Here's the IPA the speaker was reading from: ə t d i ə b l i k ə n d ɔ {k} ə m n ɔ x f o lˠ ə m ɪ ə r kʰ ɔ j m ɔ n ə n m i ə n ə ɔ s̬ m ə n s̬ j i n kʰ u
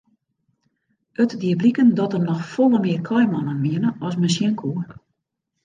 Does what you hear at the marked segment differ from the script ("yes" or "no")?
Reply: yes